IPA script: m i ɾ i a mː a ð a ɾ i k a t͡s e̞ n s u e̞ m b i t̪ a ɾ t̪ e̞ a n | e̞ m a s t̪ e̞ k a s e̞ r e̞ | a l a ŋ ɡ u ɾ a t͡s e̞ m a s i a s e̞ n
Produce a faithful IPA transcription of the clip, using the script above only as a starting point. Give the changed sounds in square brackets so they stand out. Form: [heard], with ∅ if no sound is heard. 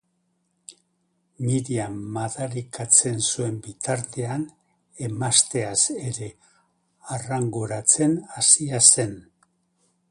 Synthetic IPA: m i ɾ i a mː a ð a ɾ i k a t͡s e̞ n s u e̞ m b i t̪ a ɾ t̪ e̞ a n | e̞ m a s t̪ e̞ [∅] a s e̞ [ɾ] e̞ | a [r] a ŋ ɡ u ɾ a t͡s e̞ [n] a s i a s e̞ n